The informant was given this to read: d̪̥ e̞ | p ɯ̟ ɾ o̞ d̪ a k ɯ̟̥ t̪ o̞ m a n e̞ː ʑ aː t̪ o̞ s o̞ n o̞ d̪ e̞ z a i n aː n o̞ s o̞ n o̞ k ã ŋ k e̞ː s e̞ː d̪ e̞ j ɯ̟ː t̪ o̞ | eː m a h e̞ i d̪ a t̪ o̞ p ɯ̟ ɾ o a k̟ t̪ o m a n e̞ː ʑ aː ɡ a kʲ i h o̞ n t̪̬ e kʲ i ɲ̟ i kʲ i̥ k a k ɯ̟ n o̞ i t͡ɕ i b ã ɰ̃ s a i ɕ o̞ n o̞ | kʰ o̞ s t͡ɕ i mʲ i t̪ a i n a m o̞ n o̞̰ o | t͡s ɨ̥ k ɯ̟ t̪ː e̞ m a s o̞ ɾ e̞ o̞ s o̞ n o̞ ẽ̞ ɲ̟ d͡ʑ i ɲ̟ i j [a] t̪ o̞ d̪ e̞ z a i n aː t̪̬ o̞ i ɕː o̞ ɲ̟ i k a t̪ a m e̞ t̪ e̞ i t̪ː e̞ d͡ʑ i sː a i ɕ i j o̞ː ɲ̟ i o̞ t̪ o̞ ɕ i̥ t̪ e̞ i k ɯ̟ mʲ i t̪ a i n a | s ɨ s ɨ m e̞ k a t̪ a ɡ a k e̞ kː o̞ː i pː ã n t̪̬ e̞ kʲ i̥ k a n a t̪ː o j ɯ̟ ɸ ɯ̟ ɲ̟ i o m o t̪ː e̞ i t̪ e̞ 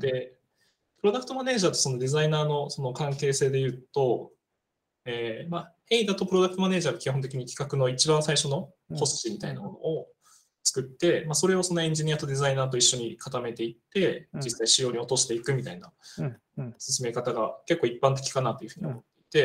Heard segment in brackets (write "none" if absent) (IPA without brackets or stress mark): a